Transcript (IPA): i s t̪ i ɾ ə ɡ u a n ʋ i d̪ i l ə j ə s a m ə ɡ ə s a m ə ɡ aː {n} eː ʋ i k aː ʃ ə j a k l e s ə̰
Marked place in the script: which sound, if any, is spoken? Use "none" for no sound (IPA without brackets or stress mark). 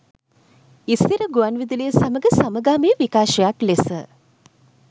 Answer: m